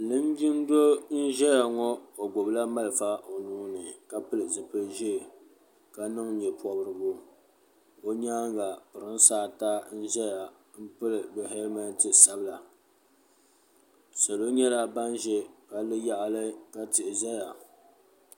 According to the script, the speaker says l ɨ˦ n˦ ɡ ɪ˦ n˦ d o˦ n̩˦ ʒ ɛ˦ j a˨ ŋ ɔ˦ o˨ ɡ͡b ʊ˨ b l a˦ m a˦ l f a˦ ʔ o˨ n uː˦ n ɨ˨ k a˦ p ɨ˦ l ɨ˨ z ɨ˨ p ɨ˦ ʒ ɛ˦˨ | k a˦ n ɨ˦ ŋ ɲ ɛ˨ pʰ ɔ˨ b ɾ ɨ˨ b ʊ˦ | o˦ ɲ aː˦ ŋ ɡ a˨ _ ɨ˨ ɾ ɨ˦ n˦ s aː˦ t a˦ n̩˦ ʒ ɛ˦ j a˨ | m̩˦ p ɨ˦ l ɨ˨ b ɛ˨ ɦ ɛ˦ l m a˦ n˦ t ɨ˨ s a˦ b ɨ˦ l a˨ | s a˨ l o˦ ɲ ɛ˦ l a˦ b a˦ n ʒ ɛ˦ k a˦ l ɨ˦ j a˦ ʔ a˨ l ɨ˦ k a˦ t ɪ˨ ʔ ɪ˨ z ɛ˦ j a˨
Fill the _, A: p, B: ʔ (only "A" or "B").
A